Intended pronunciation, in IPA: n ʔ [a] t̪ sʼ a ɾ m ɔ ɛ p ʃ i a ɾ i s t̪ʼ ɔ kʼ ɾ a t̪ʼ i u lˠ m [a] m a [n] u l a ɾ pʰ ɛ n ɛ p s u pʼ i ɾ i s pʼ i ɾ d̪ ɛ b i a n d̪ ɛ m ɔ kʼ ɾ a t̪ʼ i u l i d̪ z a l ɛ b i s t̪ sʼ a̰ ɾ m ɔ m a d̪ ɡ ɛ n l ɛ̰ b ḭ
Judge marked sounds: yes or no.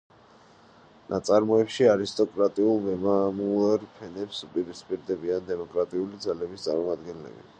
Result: yes, no, no

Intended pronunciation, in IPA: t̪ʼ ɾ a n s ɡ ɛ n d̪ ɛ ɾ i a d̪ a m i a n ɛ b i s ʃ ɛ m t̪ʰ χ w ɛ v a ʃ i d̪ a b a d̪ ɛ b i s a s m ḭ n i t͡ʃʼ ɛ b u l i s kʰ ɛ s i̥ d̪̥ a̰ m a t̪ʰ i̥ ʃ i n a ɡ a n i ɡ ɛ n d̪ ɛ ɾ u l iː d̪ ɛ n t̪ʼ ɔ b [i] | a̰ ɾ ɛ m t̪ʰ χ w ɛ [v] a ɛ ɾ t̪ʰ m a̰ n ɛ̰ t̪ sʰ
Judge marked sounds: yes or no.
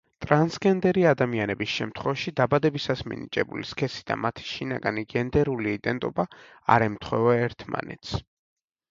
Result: no, yes

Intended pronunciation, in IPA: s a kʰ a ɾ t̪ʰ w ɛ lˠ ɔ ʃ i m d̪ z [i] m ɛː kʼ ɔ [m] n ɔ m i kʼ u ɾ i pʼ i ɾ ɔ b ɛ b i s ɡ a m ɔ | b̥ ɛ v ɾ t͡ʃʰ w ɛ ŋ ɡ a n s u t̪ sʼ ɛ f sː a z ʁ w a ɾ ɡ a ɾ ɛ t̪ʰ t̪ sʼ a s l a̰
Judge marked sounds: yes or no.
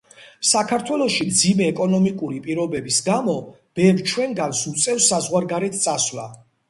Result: yes, no

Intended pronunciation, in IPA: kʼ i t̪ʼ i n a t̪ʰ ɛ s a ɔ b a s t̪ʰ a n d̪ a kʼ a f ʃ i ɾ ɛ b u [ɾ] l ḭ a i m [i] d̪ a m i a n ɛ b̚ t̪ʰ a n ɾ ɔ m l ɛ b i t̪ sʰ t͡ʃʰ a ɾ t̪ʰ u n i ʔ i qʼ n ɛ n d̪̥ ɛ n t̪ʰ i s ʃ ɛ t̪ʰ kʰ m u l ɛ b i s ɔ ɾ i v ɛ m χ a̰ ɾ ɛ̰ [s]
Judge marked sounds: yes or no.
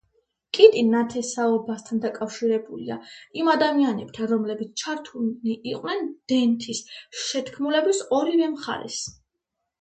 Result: no, no, yes

